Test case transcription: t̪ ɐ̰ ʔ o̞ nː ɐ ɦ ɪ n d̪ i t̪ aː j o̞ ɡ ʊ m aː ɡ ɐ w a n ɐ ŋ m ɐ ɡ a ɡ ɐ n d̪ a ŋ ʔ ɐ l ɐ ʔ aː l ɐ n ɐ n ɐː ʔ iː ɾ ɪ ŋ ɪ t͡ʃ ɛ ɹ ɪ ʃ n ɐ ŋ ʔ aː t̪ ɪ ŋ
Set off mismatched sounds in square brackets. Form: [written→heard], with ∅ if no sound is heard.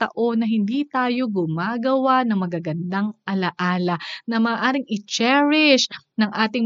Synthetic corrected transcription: t̪ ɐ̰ ʔ o̞ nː ɐ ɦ ɪ n d̪ i t̪ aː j o̞ ɡ ʊ m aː ɡ ɐ w a n ɐ ŋ m ɐ ɡ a ɡ ɐ n d̪ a ŋ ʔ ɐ l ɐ ʔ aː l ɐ n ɐ [n→m] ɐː ʔ [iː→aː] ɾ ɪ ŋ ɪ t͡ʃ ɛ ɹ ɪ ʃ n ɐ ŋ ʔ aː t̪ ɪ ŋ